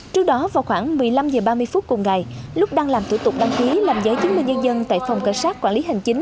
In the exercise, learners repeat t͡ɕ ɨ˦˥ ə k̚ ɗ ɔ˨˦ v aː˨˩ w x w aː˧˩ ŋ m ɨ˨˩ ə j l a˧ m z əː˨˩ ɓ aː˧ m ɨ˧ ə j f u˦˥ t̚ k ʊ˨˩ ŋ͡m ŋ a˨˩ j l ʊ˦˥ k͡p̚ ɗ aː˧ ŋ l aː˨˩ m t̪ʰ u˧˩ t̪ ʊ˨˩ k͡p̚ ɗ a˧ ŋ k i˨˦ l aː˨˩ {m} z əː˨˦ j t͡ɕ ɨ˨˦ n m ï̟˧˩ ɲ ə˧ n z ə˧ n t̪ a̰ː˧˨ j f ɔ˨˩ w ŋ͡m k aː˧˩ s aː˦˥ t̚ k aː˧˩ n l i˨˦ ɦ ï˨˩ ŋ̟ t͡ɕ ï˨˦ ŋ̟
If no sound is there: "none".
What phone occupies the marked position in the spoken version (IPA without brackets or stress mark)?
m